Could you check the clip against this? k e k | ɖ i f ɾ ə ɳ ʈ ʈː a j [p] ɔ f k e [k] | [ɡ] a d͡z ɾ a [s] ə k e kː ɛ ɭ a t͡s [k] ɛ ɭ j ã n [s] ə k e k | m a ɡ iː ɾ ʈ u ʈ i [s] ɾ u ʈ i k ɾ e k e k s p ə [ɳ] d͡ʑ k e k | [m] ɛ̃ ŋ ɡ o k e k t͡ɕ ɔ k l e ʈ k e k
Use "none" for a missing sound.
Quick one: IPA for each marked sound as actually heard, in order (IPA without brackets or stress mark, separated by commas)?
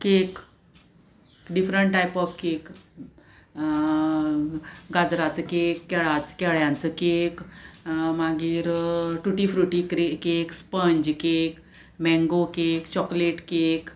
p, k, ɡ, t͡s, k, t͡s, f, ɲ, m